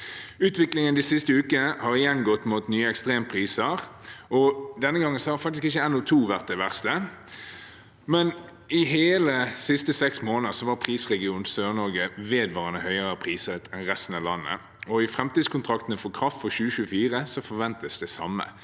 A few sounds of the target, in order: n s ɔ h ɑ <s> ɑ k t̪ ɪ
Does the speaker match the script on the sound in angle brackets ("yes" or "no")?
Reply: no